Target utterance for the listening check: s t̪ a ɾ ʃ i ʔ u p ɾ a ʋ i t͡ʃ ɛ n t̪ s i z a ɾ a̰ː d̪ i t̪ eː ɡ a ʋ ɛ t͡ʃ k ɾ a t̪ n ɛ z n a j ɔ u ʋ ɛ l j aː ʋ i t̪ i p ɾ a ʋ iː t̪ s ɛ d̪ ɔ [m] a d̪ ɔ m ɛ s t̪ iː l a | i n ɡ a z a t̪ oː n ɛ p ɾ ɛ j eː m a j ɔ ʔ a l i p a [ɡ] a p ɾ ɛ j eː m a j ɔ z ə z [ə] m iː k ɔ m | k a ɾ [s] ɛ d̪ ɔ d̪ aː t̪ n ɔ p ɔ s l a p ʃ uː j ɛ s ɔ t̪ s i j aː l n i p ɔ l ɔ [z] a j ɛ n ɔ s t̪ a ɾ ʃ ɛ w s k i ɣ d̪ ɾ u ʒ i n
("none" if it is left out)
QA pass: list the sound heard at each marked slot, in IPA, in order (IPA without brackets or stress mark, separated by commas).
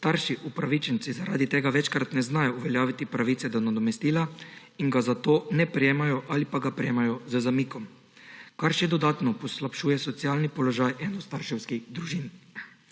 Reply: n, ɡ, a, ʃ, ʒ